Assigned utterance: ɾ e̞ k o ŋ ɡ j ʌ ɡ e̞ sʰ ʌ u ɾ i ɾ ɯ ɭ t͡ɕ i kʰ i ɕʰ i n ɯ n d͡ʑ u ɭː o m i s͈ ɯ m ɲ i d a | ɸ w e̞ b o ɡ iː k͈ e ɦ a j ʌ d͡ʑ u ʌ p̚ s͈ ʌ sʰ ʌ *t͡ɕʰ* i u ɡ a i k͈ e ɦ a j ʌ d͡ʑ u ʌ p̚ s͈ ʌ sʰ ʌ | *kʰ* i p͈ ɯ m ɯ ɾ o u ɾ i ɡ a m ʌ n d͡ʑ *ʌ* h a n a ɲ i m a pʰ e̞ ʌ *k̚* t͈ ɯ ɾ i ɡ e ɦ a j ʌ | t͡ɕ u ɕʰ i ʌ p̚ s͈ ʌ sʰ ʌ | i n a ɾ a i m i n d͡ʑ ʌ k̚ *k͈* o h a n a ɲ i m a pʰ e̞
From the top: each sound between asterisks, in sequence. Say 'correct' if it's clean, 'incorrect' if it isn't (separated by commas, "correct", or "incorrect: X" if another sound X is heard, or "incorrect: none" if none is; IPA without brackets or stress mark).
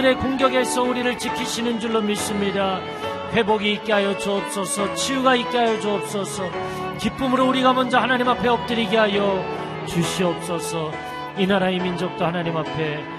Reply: correct, incorrect: k, correct, incorrect: p̚, incorrect: t͈